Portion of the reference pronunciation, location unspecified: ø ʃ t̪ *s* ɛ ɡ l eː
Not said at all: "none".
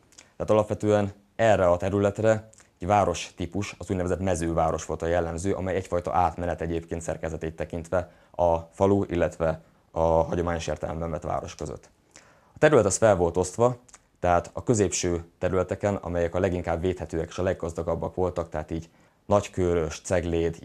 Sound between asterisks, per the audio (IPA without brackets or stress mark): s